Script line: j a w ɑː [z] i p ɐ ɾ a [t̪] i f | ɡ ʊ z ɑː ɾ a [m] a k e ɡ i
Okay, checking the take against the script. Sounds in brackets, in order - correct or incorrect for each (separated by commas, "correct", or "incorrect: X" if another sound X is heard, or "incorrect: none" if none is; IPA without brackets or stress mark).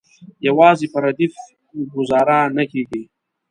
correct, incorrect: d̪, incorrect: n